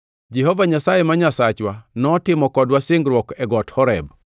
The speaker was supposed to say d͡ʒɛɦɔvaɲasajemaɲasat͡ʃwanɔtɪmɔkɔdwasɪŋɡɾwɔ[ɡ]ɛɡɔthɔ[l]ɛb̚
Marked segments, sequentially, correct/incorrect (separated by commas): incorrect, incorrect